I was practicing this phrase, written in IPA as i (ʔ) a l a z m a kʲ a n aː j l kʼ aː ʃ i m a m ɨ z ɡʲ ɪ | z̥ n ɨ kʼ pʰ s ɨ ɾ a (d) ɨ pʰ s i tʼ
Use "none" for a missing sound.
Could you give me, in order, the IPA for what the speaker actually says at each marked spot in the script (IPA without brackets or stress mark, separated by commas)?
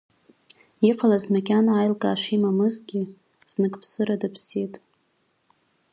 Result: q, d